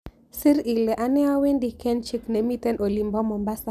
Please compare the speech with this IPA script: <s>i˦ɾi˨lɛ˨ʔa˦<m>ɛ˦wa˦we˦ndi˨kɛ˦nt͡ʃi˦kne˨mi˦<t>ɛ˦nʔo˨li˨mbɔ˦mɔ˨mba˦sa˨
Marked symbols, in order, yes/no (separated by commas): yes, no, yes